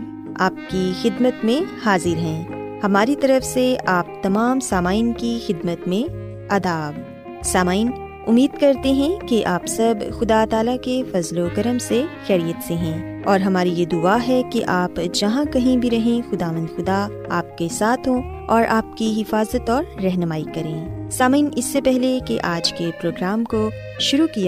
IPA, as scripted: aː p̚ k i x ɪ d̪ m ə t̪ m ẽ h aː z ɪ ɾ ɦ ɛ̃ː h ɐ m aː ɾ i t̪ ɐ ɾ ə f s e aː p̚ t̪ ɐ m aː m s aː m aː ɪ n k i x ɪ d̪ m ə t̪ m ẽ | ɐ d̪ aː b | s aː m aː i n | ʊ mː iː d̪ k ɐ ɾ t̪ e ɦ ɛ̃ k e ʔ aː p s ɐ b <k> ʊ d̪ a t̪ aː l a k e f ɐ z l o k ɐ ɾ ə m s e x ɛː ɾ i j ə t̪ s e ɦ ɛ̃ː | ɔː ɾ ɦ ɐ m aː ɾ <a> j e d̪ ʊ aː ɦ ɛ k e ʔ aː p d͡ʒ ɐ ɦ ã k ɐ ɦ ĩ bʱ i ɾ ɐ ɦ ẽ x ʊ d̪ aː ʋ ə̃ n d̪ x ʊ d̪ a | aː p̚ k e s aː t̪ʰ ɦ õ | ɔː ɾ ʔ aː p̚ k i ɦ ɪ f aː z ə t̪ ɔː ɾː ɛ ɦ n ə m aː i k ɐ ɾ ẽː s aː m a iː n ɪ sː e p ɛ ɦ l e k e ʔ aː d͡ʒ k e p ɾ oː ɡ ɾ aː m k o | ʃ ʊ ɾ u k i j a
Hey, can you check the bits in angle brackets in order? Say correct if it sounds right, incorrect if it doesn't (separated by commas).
incorrect, incorrect